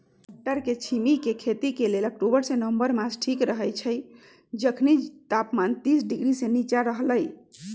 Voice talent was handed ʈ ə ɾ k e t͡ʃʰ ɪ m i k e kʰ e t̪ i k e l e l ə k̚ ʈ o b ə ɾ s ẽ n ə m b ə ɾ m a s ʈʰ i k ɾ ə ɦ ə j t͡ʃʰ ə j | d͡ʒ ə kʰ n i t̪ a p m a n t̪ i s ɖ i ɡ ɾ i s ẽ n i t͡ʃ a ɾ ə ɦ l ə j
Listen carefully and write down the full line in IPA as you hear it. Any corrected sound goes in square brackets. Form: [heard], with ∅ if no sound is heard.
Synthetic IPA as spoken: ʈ ə ɾ k e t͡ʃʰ [i] m i k e kʰ e t̪ i k e l e l ə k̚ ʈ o b ə ɾ s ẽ n ə m b ə ɾ m a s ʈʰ i k ɾ ə ɦ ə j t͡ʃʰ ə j | d͡ʒ ə kʰ n i t̪ a p m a n t̪ i s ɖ i ɡ ɾ i s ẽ n i t͡ʃ a ɾ ə ɦ l ə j